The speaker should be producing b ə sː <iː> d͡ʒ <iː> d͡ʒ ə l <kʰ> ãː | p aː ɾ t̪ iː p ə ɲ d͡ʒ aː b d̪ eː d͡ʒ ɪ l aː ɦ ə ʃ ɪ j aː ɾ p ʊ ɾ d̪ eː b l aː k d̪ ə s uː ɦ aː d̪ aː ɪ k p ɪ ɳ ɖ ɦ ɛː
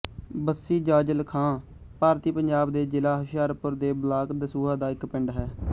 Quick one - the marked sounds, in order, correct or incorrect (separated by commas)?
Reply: correct, incorrect, correct